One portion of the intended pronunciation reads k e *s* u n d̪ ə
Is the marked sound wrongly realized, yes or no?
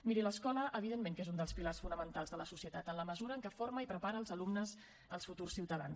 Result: yes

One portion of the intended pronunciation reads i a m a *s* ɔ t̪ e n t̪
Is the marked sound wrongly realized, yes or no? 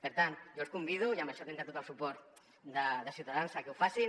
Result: yes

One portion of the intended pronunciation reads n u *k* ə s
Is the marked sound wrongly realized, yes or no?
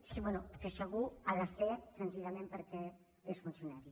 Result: no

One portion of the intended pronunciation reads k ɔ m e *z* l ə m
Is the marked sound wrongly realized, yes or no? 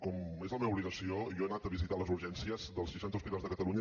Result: no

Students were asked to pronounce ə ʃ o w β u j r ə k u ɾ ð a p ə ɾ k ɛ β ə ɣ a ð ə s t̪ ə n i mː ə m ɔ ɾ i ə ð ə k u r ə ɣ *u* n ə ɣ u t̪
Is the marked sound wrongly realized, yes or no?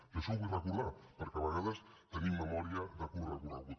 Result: no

